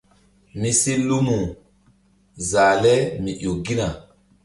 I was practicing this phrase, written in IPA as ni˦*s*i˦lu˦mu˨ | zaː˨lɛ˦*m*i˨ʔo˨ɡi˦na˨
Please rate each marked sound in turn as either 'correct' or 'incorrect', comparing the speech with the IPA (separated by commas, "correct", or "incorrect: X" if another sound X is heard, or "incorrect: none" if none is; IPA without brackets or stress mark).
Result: correct, correct